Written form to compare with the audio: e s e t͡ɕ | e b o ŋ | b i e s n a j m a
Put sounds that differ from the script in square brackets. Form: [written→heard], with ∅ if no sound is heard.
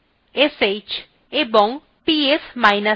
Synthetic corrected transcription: e s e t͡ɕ | e b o ŋ | [b→p] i e s [n→m] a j [m→n] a